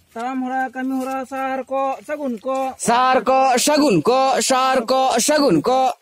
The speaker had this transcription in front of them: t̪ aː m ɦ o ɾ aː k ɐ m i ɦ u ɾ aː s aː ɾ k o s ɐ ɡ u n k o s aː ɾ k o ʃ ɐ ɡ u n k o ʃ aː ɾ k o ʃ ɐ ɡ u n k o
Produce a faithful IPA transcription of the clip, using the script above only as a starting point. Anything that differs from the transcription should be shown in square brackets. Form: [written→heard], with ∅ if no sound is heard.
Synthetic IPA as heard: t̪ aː m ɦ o ɾ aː k ɐ m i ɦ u ɾ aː s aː ɾ k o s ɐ ɡ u n k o s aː ɾ k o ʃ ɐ ɡ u n k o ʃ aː ɾ k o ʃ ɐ ɡ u n k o